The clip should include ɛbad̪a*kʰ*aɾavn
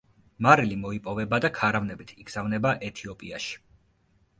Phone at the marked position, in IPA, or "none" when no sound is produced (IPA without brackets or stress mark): kʰ